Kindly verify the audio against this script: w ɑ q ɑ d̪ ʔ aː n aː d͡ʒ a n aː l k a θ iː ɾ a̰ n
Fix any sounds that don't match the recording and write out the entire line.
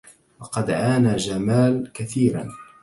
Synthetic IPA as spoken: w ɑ q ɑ d̪ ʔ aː n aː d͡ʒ a m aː l k a θ iː ɾ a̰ n